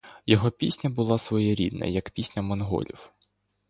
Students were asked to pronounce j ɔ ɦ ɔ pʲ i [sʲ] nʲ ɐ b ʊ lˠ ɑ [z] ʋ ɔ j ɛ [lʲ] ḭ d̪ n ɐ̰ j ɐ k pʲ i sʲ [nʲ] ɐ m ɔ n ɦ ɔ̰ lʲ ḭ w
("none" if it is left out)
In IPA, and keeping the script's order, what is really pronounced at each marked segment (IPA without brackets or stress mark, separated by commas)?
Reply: sʲ, s, ɾʲ, nʲ